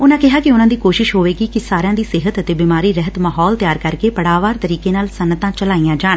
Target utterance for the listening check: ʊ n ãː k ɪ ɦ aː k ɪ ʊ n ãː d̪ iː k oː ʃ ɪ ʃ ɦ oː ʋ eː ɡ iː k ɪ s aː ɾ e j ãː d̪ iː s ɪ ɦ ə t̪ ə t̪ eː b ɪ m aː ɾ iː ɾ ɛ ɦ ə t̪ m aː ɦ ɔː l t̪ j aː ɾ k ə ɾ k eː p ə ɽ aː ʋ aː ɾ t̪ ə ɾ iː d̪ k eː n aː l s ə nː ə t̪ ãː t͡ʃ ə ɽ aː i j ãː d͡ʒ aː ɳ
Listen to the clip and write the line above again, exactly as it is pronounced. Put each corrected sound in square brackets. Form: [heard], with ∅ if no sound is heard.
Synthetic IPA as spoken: ʊ n ãː k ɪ ɦ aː k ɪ ʊ n ãː d̪ iː k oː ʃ ɪ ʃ ɦ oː ʋ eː ɡ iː k ɪ s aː ɾ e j ãː d̪ iː s ɪ ɦ ə t̪ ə t̪ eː b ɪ m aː ɾ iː ɾ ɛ ɦ ə t̪ m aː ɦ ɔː l t̪ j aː ɾ k ə ɾ k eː p ə ɽ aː ʋ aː ɾ t̪ ə ɾ iː [∅] k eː n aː l s ə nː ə t̪ ãː t͡ʃ ə [l] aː i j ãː d͡ʒ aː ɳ